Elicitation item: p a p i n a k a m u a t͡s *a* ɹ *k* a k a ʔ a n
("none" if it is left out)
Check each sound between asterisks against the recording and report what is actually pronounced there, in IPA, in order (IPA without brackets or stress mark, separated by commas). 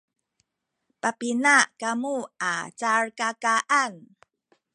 a, k